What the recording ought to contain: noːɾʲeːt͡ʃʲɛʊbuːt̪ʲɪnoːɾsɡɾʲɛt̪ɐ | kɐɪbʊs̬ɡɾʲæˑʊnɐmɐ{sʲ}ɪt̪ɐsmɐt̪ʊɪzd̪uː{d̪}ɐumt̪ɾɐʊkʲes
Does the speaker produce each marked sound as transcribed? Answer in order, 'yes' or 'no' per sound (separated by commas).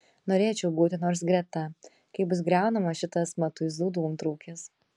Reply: no, yes